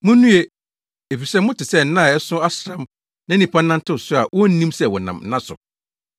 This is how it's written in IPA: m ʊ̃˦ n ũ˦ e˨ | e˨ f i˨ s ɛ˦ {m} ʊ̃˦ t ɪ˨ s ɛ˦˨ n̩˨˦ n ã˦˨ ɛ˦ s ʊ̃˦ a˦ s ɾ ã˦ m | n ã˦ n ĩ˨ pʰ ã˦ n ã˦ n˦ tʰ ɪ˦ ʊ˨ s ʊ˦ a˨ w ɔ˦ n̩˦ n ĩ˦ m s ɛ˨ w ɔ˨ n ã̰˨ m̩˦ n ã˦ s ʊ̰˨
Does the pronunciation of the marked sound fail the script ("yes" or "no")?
no